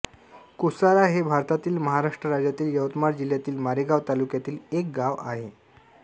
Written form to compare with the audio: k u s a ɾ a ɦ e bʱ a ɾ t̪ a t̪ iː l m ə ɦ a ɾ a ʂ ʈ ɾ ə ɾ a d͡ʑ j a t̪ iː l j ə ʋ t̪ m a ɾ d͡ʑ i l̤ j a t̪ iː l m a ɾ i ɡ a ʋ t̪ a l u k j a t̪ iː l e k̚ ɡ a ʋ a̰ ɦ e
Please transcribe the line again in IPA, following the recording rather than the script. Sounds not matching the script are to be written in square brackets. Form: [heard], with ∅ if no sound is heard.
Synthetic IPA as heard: k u s a ɾ a ɦ e bʱ a ɾ t̪ a t̪ iː l m ə ɦ a ɾ a ʂ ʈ ɾ ə ɾ a d͡ʑ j a t̪ iː l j ə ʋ t̪ m a ɾ d͡ʑ i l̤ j a t̪ iː l m a ɾ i ɡ a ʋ t̪ a l u k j a t̪ iː l e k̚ ɡ a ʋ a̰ ɦ e